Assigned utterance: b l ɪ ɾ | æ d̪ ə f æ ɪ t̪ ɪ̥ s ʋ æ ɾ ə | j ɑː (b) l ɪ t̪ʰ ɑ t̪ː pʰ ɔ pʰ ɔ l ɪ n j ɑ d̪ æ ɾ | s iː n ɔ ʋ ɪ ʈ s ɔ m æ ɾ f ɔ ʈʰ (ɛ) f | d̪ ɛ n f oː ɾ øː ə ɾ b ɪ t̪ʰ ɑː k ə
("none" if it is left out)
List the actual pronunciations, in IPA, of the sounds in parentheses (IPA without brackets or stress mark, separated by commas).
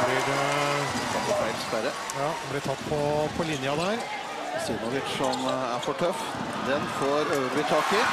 b, œ